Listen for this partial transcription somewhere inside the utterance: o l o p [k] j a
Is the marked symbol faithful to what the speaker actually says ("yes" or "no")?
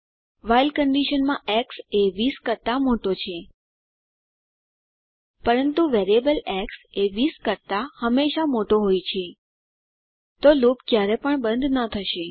yes